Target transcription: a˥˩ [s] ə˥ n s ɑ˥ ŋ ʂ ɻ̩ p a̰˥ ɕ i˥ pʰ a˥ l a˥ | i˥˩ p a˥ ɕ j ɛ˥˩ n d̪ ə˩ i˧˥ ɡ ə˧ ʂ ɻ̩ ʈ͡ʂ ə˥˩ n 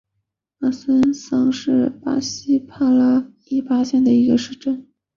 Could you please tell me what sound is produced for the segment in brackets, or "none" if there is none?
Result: s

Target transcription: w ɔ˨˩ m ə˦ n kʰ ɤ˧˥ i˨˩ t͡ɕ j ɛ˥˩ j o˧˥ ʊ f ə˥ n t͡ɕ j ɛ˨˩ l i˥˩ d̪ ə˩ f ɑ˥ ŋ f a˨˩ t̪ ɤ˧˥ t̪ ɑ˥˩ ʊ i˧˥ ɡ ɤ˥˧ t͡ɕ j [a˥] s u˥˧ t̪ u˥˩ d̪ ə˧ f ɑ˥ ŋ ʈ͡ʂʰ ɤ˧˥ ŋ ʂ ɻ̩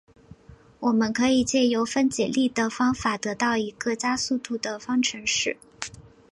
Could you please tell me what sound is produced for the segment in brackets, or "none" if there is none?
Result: a˥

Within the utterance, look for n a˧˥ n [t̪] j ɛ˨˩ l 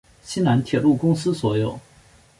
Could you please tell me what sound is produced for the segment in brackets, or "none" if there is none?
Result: t̪ʰ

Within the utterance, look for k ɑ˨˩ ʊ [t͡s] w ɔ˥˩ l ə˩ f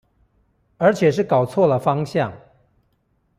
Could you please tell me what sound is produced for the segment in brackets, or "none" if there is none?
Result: t͡sʰ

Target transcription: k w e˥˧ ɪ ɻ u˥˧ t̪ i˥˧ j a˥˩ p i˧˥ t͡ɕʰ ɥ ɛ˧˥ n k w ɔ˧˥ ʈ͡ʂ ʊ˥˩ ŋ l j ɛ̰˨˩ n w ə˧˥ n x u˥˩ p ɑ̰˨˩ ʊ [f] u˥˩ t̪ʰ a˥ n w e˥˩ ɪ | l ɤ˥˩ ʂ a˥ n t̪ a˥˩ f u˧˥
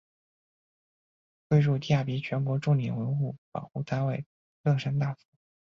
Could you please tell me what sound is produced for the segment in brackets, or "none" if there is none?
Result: x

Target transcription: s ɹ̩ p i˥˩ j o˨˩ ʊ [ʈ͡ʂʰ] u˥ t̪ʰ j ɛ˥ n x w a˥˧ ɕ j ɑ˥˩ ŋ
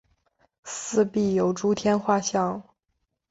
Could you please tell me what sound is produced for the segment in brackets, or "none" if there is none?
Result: ʈ͡ʂ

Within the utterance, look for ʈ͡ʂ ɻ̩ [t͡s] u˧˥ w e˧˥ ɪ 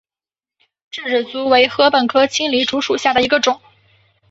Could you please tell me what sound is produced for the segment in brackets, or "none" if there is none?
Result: t͡s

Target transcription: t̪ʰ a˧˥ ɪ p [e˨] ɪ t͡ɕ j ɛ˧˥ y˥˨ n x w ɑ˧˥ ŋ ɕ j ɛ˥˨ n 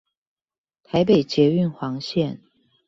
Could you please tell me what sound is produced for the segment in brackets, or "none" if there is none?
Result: e˨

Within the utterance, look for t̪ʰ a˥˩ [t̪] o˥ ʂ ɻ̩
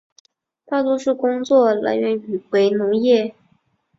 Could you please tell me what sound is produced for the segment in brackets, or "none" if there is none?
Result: t̪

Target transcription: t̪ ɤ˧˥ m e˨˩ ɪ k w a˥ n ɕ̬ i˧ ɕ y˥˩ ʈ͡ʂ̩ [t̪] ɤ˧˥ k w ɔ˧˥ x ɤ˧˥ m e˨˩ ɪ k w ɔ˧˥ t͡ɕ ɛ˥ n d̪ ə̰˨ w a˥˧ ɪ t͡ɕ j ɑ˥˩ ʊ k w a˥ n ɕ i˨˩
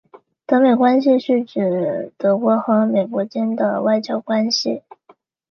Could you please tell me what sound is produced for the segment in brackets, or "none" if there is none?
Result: t̪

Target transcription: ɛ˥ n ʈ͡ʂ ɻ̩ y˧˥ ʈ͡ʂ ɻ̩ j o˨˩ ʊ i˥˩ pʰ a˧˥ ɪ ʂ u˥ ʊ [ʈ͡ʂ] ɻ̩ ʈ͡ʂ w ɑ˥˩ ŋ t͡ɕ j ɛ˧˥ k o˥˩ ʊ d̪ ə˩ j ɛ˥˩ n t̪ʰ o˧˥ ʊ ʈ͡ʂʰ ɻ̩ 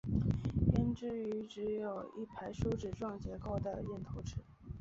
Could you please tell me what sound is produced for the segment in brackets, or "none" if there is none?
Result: ʈ͡ʂ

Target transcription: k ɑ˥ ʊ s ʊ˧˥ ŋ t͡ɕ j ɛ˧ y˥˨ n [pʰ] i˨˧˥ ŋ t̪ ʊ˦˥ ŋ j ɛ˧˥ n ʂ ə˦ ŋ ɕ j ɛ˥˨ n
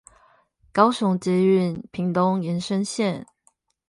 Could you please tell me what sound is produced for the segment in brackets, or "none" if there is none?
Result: pʰ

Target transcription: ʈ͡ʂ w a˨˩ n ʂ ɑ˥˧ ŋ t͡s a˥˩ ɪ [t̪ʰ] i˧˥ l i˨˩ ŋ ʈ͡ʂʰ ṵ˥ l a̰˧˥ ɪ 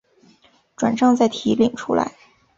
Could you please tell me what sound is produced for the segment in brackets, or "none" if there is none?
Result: t̪ʰ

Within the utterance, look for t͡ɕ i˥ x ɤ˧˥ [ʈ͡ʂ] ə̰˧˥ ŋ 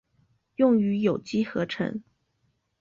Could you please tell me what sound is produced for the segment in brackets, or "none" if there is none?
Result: ʈ͡ʂʰ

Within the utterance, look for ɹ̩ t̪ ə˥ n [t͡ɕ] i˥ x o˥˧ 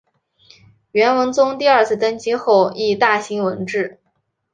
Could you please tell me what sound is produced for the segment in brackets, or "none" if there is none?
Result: t͡ɕ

